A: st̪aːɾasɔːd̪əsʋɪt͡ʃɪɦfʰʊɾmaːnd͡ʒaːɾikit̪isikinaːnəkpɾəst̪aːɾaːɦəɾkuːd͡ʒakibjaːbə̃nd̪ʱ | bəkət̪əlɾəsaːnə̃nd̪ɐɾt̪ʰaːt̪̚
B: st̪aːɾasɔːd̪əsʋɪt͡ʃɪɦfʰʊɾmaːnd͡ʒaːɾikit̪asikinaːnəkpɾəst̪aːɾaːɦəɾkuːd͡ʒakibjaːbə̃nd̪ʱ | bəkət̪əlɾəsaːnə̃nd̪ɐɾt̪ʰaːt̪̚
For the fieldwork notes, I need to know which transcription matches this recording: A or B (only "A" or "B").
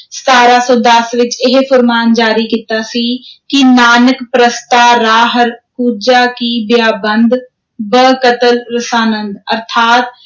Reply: B